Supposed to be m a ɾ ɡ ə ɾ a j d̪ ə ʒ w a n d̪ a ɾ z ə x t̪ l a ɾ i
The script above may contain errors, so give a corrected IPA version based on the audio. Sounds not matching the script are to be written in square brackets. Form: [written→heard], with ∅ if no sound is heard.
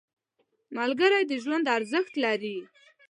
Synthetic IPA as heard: m a [ɾ→l] ɡ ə ɾ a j d̪ ə ʒ w a n d̪ a ɾ z ə x t̪ l a ɾ i